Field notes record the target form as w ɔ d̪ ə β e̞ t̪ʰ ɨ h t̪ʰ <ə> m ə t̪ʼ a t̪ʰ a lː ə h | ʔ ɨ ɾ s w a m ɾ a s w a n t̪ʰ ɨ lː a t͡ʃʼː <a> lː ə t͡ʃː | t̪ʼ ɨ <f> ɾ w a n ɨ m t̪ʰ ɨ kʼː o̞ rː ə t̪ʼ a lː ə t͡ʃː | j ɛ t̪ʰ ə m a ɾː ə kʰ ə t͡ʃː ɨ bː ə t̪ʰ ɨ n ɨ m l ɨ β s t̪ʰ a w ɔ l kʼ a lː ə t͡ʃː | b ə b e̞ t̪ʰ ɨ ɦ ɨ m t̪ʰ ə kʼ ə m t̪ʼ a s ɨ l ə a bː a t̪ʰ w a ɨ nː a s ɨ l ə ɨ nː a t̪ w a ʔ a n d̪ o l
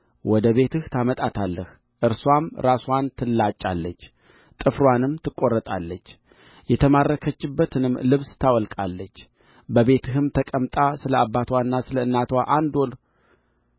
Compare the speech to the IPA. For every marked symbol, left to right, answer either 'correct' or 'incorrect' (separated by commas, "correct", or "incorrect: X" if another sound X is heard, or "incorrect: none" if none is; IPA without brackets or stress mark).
incorrect: a, correct, correct